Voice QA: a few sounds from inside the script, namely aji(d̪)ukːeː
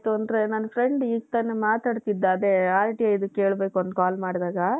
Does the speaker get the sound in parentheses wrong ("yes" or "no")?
no